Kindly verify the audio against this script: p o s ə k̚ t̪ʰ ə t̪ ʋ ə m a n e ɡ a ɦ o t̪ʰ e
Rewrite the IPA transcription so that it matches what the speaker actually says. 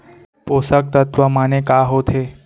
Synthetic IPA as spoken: p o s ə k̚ t̪ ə t̪ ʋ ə m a n e k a ɦ o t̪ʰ e